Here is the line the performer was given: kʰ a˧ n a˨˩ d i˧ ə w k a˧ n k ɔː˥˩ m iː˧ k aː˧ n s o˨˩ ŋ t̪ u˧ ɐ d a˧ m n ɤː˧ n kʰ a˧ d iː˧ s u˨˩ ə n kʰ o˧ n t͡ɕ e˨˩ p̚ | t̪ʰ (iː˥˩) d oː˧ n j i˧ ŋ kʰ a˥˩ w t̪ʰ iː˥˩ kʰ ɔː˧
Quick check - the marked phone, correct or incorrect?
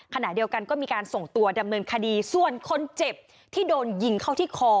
correct